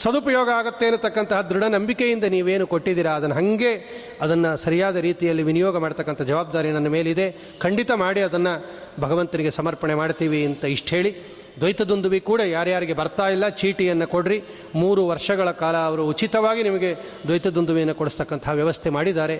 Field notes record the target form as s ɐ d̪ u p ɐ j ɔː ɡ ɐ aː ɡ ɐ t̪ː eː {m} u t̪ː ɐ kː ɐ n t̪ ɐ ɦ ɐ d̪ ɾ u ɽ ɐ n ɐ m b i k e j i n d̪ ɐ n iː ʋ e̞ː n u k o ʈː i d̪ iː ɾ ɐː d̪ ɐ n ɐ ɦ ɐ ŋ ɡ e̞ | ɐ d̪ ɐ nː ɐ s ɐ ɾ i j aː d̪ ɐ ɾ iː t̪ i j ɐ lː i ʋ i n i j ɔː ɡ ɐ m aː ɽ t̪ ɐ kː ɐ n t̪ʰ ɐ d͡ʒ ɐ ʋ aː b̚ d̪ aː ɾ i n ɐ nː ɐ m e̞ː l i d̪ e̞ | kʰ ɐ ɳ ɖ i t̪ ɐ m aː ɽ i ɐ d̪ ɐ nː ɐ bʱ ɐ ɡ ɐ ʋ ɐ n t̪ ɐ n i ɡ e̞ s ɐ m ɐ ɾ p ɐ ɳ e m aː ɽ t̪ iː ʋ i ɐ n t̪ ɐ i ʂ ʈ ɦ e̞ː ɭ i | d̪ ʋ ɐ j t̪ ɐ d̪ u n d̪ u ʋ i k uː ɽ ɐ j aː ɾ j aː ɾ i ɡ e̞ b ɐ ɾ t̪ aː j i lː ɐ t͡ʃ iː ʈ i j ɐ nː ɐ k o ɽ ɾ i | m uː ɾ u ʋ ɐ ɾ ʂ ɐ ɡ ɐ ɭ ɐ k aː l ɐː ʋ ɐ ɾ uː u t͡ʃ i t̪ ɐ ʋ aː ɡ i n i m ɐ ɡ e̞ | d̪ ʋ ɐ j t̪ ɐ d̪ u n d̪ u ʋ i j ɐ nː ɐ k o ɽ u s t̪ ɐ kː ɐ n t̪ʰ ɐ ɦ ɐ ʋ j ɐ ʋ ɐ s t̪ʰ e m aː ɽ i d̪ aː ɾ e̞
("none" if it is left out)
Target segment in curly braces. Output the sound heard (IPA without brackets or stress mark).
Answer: n